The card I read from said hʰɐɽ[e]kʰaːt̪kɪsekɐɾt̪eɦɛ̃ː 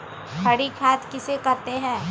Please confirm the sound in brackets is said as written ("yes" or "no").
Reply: no